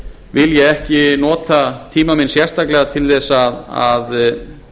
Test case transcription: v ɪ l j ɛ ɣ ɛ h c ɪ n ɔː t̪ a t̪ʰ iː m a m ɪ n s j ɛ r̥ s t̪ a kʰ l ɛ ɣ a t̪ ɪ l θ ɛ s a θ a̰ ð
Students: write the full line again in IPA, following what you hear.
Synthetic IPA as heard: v ɪ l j ɛ ɣ ɛ h c ɪ n ɔː t̪ a t̪ʰ iː m a m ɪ n s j ɛ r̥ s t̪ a k l ɛ ɣ a t̪ʰ ɪ l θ ɛ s a ð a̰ ð